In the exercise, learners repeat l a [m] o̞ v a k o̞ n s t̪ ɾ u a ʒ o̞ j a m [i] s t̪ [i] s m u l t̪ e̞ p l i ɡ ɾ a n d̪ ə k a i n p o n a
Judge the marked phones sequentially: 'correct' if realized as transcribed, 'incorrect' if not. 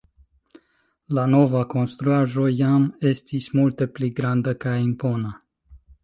incorrect: n, incorrect: e, correct

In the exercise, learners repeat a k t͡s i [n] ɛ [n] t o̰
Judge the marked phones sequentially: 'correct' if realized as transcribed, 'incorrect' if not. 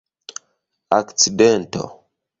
incorrect: d, correct

